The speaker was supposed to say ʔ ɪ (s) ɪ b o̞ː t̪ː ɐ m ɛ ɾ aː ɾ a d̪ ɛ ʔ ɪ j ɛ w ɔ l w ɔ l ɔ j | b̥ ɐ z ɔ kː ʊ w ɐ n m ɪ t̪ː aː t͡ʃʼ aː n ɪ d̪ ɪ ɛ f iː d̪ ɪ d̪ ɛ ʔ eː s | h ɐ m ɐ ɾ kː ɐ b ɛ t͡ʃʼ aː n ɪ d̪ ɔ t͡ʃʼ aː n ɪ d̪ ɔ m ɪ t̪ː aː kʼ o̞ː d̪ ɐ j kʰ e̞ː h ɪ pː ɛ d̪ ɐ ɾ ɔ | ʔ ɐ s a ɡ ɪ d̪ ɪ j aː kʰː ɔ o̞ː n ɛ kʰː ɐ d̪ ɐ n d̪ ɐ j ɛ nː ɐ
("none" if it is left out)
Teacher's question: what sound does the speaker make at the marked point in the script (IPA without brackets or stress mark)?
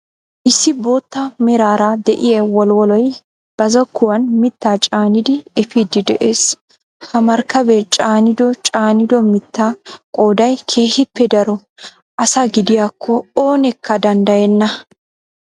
sː